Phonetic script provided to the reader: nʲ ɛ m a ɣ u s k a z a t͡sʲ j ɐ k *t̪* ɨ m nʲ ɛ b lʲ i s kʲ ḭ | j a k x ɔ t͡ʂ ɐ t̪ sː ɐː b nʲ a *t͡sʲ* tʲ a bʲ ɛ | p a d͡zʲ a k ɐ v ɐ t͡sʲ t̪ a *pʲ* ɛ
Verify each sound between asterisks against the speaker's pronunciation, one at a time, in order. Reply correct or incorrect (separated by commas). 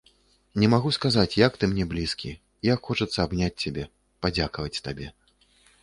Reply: correct, correct, incorrect